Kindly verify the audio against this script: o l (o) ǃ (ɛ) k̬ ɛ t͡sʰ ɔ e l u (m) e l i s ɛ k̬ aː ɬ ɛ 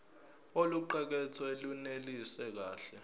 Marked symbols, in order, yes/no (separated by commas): no, yes, no